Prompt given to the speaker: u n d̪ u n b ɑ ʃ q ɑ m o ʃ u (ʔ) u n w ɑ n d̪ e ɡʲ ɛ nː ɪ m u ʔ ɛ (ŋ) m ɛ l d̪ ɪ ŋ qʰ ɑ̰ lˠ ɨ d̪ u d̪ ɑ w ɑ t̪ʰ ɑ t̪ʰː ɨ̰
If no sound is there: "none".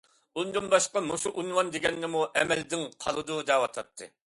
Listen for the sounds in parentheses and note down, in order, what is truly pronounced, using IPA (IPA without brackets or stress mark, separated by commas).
ʔ, none